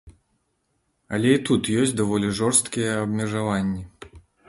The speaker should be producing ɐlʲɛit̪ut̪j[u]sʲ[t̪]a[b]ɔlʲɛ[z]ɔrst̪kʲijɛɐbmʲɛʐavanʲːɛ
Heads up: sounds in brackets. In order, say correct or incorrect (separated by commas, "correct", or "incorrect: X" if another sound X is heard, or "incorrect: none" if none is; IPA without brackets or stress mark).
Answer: incorrect: ɔ, incorrect: d̪, incorrect: v, incorrect: ʐ